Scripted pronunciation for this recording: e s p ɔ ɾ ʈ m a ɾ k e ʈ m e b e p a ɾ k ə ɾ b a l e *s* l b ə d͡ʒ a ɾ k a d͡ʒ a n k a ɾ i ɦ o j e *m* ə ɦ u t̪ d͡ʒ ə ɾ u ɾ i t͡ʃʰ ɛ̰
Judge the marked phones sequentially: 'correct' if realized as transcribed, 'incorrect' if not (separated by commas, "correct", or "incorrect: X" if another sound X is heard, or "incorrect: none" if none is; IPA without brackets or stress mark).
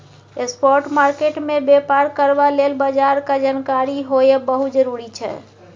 incorrect: none, incorrect: b